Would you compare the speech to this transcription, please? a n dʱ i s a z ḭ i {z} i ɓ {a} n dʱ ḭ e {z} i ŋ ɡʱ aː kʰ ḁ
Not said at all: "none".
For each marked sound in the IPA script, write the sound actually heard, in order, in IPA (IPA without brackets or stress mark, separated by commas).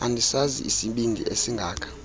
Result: s, i, s